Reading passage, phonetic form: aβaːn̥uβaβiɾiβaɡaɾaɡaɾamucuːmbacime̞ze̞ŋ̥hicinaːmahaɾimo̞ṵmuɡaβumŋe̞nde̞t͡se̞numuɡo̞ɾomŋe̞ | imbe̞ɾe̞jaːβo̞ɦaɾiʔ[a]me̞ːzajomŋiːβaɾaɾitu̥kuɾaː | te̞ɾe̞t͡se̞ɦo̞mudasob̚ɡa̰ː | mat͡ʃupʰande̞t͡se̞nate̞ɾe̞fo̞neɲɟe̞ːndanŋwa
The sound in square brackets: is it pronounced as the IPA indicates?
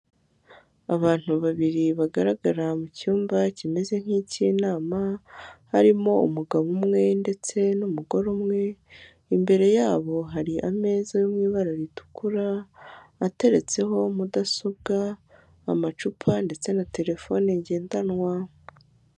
yes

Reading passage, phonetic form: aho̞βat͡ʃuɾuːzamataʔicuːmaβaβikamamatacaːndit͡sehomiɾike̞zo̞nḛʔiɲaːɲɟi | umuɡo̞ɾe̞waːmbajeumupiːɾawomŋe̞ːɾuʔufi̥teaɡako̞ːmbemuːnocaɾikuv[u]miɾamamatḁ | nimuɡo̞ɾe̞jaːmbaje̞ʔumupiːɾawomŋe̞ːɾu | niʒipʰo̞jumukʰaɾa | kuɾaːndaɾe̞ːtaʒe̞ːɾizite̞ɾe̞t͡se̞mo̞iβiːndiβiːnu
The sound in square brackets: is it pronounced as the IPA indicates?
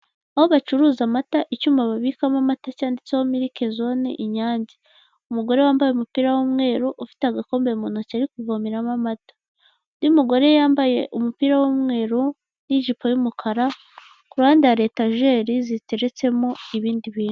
no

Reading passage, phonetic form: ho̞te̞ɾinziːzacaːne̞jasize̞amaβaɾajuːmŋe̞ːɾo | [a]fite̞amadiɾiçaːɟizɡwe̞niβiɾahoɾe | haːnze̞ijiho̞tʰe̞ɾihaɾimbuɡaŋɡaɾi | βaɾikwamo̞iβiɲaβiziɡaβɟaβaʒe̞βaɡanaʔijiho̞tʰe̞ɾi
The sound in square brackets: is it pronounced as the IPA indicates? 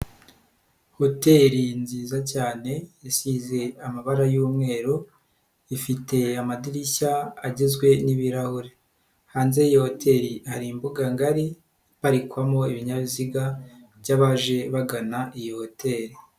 no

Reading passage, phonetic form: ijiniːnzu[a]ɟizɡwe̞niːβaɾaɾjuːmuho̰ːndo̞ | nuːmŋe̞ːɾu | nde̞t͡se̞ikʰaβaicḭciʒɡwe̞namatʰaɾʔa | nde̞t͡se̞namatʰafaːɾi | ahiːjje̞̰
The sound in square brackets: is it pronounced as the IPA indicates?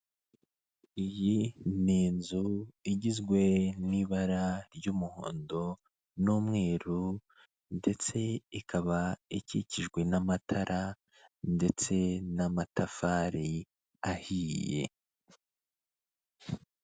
no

